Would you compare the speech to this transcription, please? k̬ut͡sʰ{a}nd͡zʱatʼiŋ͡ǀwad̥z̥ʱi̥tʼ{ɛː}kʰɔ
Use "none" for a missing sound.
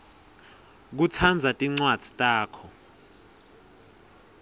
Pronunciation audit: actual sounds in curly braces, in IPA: a, aː

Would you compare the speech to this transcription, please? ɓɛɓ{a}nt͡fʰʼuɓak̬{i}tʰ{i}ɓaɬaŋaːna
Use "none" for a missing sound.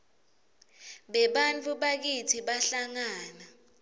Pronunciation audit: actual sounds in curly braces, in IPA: a, i, i

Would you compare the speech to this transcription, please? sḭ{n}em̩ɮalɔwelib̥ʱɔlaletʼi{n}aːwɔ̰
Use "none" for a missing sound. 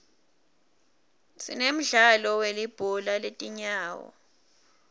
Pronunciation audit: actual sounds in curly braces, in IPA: n, ɲ

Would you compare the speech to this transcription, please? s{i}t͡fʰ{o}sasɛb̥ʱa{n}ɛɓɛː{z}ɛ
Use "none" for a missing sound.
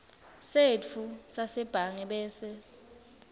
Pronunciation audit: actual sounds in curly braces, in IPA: e, u, ŋ, s

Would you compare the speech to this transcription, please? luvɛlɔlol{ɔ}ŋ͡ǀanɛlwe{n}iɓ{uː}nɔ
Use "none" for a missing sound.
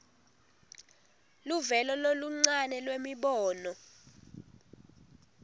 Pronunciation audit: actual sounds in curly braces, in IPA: u, m, ɔː

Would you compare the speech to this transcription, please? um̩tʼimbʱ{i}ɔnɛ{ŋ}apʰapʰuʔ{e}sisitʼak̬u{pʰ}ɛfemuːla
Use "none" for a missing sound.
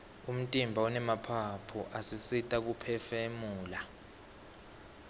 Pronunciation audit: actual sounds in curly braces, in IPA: a, m, a, pʰ

